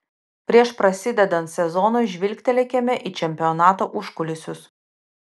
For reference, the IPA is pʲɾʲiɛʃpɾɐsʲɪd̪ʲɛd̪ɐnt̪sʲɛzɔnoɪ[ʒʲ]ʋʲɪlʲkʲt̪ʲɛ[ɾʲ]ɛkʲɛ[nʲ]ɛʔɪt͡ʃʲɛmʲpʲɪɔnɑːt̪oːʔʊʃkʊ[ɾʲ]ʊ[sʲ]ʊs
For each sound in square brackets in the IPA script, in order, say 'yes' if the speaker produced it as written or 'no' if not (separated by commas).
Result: yes, no, no, no, yes